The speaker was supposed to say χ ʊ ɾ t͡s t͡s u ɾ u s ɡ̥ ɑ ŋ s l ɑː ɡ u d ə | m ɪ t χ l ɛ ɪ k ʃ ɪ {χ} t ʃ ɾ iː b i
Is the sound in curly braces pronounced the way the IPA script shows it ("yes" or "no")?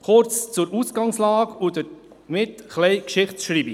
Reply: yes